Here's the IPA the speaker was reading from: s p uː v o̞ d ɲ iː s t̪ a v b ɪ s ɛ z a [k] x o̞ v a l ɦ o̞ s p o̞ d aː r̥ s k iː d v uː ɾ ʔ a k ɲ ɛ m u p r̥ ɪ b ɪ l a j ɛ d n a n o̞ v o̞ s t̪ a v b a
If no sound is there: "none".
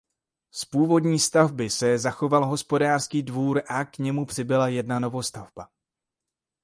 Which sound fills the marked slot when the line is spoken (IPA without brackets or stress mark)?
none